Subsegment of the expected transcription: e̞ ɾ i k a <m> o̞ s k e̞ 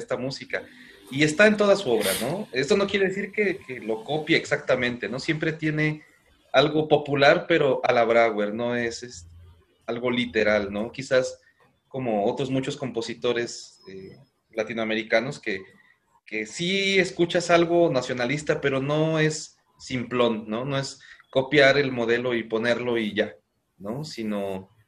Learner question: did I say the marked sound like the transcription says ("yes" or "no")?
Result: no